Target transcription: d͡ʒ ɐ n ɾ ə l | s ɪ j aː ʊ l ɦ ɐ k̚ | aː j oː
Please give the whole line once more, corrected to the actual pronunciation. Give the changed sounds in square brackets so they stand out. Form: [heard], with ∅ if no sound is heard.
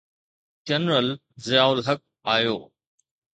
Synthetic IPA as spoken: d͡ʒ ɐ n ɾ ə l | [z] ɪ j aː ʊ l ɦ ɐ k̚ | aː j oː